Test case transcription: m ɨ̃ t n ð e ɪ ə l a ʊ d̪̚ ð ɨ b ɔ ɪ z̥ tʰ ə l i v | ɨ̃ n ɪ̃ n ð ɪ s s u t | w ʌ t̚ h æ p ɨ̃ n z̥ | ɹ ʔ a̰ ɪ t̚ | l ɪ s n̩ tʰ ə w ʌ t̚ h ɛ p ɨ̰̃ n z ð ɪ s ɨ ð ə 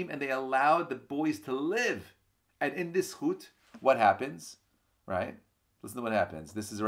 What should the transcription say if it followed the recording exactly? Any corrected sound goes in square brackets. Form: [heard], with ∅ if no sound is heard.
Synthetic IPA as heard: m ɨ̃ [∅] n ð e ɪ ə l a ʊ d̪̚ ð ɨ b ɔ ɪ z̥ tʰ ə l [ɪ] v | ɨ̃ n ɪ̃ n ð ɪ s [h] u t | w ʌ t̚ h æ p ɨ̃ n z̥ | ɹ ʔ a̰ ɪ t̚ | l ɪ s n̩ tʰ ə w ʌ t̚ h [æ] p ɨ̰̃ n z ð ɪ s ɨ [z] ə